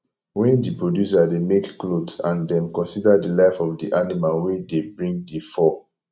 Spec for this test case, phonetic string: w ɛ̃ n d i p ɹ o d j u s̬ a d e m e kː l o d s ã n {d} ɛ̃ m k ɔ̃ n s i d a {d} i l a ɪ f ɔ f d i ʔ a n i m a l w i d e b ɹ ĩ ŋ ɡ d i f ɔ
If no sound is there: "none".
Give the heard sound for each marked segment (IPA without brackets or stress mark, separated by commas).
d, d